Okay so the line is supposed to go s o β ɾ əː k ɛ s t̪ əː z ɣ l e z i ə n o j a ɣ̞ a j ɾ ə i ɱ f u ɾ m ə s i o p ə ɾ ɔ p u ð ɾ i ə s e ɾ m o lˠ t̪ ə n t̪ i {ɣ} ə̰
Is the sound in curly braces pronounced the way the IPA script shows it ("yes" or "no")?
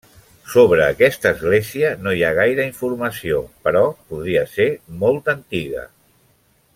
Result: yes